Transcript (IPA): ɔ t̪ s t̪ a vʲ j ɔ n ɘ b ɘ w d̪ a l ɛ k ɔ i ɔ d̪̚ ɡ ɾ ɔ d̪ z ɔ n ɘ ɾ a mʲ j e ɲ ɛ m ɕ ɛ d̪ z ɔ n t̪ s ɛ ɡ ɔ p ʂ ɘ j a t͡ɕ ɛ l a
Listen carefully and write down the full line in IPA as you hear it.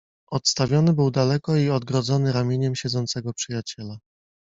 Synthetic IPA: ɔ t̪ s t̪ a vʲ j ɔ n ɘ b ɘ w d̪ a l ɛ k ɔ i ɔ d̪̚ ɡ ɾ ɔ d̪ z ɔ n ɘ ɾ a mʲ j e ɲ ɛ m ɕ ɛ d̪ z ɔ n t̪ s ɛ ɡ ɔ p ʂ ɘ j a t͡ɕ ɛ l a